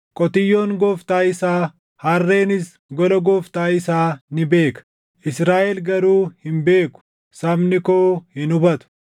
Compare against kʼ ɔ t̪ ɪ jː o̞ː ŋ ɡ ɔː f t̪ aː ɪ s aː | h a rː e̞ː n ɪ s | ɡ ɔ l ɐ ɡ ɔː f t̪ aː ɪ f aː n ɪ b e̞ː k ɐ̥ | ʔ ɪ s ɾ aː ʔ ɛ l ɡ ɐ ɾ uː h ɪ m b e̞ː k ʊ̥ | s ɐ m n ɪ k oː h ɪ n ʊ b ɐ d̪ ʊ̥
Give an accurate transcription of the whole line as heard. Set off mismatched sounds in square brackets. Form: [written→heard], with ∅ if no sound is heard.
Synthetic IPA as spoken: kʼ ɔ t̪ ɪ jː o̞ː ŋ ɡ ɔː f t̪ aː ɪ s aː | h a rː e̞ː n ɪ s | ɡ ɔ l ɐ ɡ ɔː f t̪ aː ɪ [f→s] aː n ɪ b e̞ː k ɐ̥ | ʔ ɪ s ɾ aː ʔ ɛ l ɡ ɐ ɾ uː h ɪ m b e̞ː k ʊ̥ | s ɐ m n ɪ k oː h ɪ n ʊ b ɐ [d̪→t̪] ʊ̥

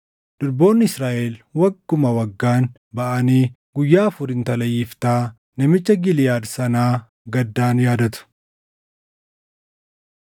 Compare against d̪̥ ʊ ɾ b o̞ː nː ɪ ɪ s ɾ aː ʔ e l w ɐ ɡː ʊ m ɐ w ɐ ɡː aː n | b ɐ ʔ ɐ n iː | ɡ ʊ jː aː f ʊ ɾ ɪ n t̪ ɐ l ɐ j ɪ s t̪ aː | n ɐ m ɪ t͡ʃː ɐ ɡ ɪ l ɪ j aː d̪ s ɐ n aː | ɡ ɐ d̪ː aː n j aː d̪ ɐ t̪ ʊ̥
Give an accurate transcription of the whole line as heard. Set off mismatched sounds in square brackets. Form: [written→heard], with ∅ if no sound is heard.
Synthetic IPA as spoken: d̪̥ ʊ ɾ b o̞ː nː ɪ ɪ s ɾ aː ʔ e l w ɐ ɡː ʊ m ɐ w ɐ ɡː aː n | b ɐ ʔ ɐ n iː | ɡ ʊ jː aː f ʊ ɾ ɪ n t̪ ɐ l ɐ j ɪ [s→f] t̪ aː | n ɐ m ɪ t͡ʃː ɐ ɡ ɪ l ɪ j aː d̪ s ɐ n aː | ɡ ɐ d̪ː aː n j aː d̪ ɐ t̪ ʊ̥

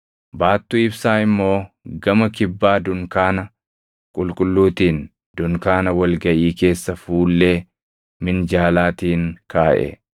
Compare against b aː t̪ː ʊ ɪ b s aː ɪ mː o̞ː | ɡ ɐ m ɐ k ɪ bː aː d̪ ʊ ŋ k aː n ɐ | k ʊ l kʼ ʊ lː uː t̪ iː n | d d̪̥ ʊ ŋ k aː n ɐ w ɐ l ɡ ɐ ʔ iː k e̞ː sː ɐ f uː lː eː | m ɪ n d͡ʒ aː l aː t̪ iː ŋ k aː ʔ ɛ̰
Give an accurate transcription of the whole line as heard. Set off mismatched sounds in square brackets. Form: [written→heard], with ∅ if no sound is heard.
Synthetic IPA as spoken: b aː t̪ː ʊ ɪ b s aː ɪ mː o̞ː | ɡ ɐ m ɐ k ɪ bː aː d̪ ʊ ŋ k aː n ɐ | [k→kʼ] ʊ l kʼ ʊ lː uː t̪ iː n | d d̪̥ ʊ ŋ k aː n ɐ w ɐ l ɡ ɐ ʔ iː k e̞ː sː ɐ f uː lː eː | m ɪ n d͡ʒ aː l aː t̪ iː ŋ k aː ʔ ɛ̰

